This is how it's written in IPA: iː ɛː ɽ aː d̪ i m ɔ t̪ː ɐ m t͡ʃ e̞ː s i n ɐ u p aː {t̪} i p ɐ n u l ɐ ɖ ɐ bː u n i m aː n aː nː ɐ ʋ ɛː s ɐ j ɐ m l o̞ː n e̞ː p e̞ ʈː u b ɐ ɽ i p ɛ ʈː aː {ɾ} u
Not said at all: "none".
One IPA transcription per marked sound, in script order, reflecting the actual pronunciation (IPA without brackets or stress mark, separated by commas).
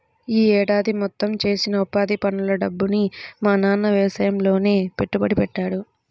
d̪, ɽ